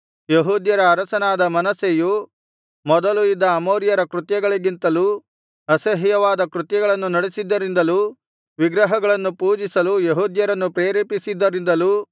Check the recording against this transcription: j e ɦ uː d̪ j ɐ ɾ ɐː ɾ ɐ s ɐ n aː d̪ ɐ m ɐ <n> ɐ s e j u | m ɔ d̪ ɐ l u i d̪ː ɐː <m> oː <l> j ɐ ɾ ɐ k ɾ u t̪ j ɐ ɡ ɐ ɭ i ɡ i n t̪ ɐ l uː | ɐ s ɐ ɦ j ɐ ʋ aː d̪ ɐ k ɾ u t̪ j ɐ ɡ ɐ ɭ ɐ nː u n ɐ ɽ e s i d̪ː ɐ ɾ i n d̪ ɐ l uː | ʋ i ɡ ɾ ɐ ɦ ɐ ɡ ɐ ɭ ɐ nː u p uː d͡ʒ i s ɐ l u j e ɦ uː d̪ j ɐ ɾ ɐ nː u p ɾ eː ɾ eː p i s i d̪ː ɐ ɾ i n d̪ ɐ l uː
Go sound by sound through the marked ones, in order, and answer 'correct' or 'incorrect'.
correct, correct, incorrect: ɾ

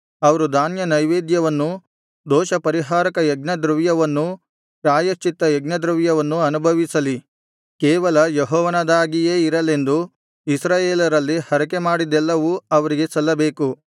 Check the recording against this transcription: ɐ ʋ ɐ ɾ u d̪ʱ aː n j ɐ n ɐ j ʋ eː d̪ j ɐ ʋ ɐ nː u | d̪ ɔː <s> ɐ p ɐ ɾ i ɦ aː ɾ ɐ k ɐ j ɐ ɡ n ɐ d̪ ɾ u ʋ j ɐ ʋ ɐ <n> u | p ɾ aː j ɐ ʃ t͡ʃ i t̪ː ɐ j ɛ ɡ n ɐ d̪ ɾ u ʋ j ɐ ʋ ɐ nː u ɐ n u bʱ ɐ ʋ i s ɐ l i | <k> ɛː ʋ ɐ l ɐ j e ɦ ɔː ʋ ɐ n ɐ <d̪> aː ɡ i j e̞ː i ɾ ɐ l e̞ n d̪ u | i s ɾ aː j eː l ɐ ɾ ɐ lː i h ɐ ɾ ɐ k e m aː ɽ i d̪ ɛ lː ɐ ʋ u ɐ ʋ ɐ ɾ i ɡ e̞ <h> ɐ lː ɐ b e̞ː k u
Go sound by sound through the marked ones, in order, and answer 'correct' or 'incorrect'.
incorrect: ʃ, incorrect: nː, correct, correct, incorrect: s

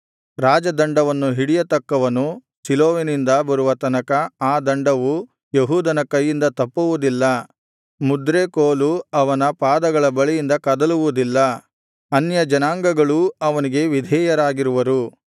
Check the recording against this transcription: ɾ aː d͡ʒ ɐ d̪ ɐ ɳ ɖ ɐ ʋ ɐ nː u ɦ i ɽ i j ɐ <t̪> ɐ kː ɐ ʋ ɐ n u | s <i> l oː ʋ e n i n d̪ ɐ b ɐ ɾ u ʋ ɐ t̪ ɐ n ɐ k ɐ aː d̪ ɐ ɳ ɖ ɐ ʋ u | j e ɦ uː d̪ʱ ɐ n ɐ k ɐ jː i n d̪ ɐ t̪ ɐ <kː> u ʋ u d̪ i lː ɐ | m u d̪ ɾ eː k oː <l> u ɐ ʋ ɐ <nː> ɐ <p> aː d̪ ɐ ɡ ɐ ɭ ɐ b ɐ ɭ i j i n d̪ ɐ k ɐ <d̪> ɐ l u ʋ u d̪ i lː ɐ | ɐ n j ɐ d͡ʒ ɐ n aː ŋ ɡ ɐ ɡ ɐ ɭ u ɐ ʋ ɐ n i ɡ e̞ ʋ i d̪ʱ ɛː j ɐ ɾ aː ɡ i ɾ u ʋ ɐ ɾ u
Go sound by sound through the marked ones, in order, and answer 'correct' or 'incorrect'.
correct, correct, incorrect: pː, correct, incorrect: n, correct, correct

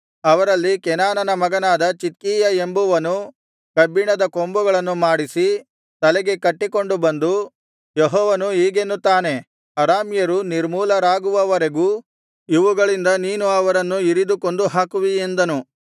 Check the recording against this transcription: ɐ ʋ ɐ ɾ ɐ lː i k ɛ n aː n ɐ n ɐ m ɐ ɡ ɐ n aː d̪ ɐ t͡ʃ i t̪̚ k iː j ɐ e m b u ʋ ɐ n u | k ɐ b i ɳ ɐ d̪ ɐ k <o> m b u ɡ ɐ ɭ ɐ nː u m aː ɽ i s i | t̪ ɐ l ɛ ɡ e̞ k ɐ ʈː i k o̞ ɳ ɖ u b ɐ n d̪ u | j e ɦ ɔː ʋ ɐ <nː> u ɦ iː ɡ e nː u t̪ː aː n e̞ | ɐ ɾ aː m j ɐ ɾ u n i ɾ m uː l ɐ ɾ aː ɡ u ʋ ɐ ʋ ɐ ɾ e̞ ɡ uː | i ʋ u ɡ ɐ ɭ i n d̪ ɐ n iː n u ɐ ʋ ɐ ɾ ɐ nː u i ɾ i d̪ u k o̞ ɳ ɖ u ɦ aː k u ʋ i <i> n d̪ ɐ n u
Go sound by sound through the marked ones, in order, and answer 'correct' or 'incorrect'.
correct, incorrect: n, incorrect: e

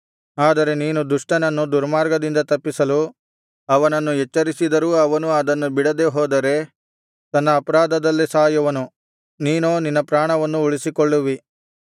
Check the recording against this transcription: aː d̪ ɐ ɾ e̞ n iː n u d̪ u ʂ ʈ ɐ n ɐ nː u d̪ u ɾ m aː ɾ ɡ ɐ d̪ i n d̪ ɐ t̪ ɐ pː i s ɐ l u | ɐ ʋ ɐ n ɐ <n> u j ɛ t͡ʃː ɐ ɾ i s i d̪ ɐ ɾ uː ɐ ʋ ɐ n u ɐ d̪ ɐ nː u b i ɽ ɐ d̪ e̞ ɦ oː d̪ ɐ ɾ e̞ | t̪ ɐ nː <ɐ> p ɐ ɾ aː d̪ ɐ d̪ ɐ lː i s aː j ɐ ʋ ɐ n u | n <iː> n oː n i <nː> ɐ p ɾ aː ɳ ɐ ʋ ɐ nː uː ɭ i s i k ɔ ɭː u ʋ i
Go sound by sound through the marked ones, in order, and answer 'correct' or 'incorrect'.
incorrect: nː, incorrect: ɐː, correct, correct

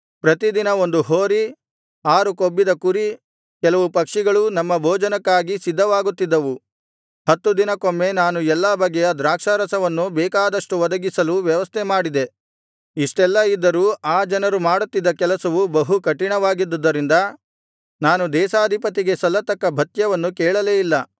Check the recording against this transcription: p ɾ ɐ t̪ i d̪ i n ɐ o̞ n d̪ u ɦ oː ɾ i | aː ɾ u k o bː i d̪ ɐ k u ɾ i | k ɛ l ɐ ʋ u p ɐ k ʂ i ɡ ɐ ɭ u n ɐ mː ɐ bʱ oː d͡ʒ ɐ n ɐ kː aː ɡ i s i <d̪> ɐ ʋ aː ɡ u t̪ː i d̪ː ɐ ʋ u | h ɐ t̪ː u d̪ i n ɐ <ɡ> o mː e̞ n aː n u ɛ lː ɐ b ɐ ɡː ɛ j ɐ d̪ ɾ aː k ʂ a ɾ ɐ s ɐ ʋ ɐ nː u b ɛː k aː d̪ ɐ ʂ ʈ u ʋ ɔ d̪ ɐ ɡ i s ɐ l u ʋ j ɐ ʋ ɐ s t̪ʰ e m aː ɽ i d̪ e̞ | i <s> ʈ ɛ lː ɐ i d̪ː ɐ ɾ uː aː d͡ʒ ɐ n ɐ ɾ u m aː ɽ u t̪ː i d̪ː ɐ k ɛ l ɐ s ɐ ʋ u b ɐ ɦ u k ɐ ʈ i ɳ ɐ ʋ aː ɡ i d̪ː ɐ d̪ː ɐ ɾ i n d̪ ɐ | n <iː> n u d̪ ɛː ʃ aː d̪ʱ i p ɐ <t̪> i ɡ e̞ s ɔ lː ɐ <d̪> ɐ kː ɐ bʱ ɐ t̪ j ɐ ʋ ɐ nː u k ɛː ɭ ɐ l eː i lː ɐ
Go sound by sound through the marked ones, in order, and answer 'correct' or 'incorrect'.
incorrect: d̪ː, incorrect: k, incorrect: ʂ, incorrect: aː, correct, incorrect: t̪

